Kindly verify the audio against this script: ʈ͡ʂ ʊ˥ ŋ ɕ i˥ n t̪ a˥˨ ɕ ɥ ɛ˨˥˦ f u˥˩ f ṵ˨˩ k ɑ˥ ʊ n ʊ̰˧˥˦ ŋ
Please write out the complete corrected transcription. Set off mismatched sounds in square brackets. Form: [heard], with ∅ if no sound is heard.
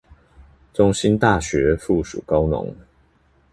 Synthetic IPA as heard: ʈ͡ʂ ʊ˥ ŋ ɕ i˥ n t̪ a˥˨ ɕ ɥ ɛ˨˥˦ f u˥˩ [ʂ] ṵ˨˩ k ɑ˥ ʊ n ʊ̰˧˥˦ ŋ